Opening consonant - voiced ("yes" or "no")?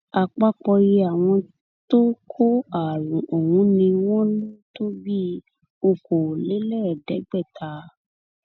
no